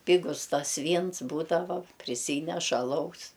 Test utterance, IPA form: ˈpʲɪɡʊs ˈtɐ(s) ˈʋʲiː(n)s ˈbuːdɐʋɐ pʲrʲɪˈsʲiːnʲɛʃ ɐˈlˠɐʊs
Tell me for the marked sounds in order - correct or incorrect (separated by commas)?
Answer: correct, correct